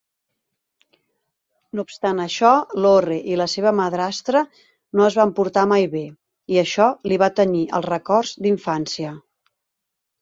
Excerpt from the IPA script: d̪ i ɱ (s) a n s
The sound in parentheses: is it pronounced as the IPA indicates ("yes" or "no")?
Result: no